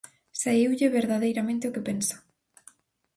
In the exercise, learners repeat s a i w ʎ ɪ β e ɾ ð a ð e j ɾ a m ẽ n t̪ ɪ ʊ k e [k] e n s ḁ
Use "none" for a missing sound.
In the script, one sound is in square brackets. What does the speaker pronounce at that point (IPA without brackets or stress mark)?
p